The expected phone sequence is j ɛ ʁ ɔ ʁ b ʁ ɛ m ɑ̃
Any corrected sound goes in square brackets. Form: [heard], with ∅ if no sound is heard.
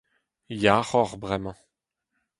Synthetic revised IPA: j [a] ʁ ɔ ʁ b ʁ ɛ m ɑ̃